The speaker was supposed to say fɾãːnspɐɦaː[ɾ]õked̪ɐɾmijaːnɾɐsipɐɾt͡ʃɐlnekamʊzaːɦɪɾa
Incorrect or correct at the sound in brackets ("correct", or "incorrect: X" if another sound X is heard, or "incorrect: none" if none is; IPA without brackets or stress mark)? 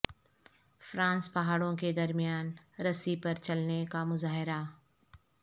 incorrect: ɽ